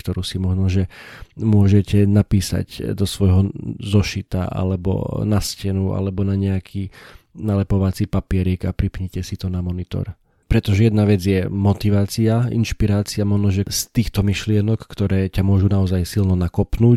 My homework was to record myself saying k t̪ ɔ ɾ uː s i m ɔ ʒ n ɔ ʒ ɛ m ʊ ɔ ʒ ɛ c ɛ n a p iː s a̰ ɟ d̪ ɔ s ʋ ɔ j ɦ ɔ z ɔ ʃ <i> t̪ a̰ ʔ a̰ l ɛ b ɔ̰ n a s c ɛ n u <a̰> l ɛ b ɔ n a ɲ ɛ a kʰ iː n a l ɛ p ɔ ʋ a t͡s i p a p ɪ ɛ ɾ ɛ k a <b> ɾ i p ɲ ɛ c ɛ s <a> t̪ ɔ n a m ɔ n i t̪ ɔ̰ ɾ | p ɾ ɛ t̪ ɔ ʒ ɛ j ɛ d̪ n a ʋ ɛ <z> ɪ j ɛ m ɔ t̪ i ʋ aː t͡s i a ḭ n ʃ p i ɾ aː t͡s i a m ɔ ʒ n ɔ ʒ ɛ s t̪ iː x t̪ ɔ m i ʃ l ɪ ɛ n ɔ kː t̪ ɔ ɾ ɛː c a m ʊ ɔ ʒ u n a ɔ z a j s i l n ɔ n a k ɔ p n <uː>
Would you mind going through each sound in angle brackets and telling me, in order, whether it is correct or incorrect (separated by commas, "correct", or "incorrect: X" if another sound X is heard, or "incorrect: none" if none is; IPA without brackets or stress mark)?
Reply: correct, correct, incorrect: p, incorrect: i, incorrect: d͡z, correct